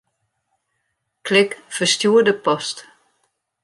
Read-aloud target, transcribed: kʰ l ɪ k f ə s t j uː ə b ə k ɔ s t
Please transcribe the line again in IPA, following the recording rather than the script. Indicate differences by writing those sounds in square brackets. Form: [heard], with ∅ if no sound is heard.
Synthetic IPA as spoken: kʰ l ɪ k f ə s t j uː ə [d] ə [p] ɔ s t